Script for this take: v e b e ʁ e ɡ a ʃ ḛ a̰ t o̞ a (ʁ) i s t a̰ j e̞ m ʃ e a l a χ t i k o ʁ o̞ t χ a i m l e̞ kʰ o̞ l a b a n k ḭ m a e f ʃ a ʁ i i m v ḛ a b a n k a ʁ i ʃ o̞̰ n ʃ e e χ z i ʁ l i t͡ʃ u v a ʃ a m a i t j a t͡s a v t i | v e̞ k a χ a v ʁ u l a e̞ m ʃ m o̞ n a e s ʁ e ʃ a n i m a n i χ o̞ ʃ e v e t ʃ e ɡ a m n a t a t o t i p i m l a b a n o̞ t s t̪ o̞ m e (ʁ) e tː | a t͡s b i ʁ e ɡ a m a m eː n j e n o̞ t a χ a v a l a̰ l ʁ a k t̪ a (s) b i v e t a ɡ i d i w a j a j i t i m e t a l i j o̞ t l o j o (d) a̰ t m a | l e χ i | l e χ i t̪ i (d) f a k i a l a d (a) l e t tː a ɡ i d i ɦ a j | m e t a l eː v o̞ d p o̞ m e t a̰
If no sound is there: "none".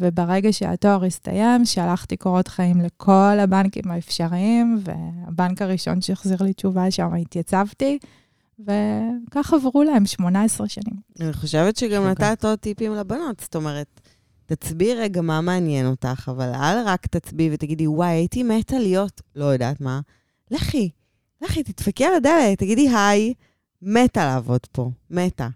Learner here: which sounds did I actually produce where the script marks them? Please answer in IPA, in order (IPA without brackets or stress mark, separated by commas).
ʁ, ʁ, t͡s, d, t, e